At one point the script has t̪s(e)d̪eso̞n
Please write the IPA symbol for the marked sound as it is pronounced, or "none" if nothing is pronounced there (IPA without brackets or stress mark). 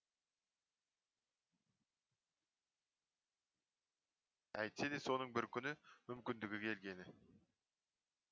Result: e